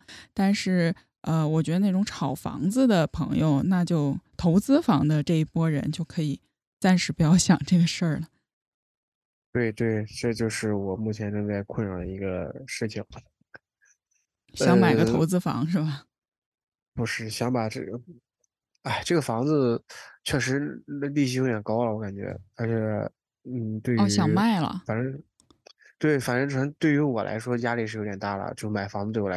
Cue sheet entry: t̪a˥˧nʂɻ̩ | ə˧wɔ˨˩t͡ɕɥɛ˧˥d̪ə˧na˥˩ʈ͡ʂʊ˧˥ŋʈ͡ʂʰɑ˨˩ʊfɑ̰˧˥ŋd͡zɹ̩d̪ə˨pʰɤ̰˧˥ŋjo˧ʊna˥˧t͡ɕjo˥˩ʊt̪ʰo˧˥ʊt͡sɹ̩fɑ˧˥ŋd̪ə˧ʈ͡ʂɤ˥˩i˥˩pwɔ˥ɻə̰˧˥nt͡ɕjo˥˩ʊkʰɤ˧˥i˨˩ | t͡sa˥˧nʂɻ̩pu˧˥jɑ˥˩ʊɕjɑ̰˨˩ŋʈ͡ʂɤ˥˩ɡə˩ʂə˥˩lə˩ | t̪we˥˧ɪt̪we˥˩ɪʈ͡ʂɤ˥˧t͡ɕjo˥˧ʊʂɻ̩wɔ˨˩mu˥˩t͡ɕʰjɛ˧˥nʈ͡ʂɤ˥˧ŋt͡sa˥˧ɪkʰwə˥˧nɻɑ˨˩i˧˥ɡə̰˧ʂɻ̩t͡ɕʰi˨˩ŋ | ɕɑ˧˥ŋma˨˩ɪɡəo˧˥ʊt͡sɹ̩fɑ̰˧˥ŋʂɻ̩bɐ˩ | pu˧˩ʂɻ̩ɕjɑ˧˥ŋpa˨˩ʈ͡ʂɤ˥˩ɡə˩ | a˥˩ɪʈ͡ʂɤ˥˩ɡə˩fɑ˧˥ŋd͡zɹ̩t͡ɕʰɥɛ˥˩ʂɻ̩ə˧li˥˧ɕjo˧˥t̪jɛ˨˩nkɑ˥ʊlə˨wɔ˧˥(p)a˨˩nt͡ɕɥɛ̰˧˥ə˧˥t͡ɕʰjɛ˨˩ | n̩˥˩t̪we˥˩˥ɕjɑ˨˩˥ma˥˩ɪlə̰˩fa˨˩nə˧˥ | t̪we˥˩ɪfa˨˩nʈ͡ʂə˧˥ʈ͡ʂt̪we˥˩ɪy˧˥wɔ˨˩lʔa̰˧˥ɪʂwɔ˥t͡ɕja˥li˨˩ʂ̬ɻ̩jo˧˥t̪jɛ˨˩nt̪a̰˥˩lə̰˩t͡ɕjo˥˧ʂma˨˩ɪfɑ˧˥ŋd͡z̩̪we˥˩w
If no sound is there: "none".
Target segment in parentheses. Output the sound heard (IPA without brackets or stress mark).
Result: k